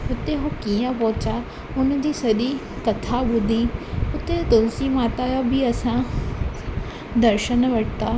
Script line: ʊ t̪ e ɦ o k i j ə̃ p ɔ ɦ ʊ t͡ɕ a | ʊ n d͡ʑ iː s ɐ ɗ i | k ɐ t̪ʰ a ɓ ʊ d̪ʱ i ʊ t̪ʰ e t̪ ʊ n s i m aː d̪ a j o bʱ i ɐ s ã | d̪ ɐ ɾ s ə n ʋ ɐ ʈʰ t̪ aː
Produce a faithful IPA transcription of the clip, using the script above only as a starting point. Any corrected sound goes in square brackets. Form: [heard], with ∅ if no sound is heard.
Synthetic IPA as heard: ʊ t̪ e ɦ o k i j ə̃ p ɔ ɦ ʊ t͡ɕ a | ʊ n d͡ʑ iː s ɐ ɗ i | k ɐ t̪ʰ a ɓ ʊ d̪ʱ i ʊ [t̪] e t̪ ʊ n s i m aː [t̪] a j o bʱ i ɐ s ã | d̪ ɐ ɾ [ʃ] ə n ʋ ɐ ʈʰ t̪ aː

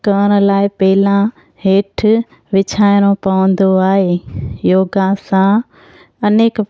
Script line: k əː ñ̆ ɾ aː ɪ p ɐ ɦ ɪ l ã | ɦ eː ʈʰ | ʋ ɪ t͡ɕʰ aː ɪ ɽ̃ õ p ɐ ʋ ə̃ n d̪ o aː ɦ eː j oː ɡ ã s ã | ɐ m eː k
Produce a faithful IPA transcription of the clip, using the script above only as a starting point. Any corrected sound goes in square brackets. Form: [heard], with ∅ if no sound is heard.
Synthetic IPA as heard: k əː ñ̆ [l] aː ɪ p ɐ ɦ ɪ l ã | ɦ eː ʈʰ | ʋ ɪ t͡ɕʰ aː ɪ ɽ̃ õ p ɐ ʋ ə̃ n d̪ o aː ɦ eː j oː ɡ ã s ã | ɐ [n] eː k

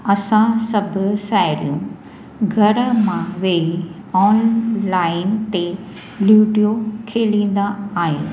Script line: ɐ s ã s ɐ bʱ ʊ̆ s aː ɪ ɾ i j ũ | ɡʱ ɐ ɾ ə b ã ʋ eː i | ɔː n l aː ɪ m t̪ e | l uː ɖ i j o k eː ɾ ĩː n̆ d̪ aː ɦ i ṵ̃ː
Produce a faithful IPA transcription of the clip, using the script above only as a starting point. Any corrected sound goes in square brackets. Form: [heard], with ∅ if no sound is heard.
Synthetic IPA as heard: ɐ s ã s ɐ bʱ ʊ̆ s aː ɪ ɾ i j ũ | ɡʱ ɐ ɾ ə [m] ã ʋ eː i | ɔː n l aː ɪ [n] t̪ e | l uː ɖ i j o [kʰ] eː [l] ĩː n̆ d̪ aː ɦ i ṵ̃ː

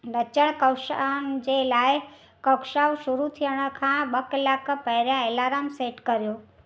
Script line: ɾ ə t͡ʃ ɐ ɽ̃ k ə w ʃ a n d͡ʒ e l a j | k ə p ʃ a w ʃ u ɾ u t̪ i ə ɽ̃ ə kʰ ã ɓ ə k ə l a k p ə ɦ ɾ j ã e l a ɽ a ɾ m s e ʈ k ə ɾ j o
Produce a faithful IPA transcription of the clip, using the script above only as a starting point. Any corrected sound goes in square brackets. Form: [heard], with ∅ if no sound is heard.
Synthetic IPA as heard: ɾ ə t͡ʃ [ə] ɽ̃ k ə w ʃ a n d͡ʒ e l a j | k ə [k] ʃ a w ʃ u ɾ u [t̪ʰ] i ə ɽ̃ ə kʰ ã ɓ ə k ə l a k p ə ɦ ɾ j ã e l a [ɾ] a [∅] m s e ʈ k ə ɾ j o

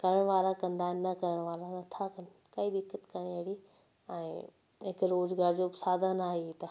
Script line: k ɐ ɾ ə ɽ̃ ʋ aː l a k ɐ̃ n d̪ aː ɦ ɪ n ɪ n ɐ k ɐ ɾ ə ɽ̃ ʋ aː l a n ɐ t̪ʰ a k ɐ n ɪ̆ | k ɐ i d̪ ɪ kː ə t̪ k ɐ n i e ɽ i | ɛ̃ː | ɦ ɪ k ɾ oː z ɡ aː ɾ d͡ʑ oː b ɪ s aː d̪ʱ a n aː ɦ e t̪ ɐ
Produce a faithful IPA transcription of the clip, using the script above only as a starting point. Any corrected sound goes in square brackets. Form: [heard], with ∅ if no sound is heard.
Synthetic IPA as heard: k ɐ ɾ ə ɽ̃ ʋ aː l a k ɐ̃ n d̪ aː ɦ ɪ n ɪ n ɐ k ɐ ɾ ə ɽ̃ ʋ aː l a n ɐ t̪ʰ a k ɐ n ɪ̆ | k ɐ i d̪ ɪ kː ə t̪ k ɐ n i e ɽ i | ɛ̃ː | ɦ ɪ k ɾ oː z ɡ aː ɾ d͡ʑ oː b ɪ s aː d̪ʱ a n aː ɦ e t̪ ɐ

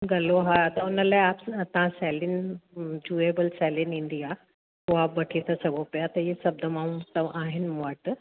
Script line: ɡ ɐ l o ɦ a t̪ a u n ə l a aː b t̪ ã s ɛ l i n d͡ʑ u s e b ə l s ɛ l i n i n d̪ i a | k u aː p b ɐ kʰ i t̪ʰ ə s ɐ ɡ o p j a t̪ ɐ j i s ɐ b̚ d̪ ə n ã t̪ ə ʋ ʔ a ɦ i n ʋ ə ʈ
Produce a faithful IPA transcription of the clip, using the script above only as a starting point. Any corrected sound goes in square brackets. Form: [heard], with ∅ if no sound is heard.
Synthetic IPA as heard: ɡ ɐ l o ɦ a t̪ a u n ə l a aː [p] t̪ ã s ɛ l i n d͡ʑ u [∅] e b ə l s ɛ l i n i n d̪ i a | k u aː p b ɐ [ʈʰ] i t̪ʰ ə s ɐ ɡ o p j a t̪ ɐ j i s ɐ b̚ d̪ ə [m] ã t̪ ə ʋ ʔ a ɦ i n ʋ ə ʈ

